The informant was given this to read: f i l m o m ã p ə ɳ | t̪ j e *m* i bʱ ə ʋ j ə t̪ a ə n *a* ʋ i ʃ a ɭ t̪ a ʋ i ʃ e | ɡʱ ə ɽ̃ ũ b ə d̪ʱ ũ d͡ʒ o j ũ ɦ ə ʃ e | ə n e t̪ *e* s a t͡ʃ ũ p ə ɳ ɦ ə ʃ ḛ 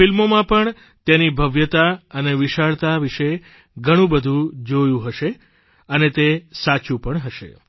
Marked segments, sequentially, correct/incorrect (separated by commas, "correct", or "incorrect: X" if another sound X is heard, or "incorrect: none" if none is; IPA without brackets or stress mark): incorrect: n, incorrect: e, correct